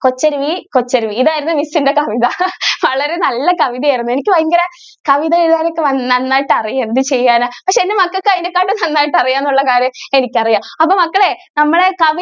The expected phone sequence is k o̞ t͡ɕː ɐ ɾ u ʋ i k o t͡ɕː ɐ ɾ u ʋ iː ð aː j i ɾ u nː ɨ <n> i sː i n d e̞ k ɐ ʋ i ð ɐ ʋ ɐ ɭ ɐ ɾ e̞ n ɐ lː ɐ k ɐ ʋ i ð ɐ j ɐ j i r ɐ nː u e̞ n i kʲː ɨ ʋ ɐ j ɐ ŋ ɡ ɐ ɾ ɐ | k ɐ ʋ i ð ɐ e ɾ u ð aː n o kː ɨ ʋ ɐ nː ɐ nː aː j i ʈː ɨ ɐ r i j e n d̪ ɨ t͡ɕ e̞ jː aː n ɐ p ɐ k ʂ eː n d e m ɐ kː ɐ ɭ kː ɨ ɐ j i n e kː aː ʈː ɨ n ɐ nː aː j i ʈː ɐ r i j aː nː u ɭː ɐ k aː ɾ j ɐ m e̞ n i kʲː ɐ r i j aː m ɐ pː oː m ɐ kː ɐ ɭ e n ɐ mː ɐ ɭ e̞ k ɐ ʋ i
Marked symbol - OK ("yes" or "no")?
no